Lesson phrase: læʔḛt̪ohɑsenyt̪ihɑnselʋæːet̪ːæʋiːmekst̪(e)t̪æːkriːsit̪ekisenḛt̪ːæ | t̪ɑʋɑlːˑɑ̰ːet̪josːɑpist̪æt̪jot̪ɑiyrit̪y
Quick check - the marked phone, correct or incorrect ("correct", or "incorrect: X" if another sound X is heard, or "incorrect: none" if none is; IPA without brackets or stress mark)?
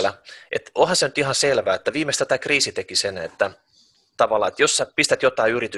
incorrect: æ